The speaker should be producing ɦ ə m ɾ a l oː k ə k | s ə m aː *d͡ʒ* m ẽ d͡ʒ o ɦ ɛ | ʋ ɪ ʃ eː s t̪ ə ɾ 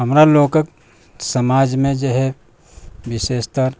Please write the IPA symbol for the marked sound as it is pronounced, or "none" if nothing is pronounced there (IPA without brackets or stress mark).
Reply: d͡ʒ